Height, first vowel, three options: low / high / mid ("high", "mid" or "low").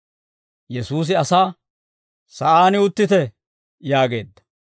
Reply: mid